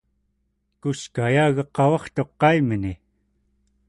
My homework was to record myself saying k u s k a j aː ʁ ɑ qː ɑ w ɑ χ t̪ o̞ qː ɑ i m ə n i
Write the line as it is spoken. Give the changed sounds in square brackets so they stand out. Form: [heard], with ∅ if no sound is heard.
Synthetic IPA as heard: k u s k a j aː [ɣ] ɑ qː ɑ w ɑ χ t̪ o̞ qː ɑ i m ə n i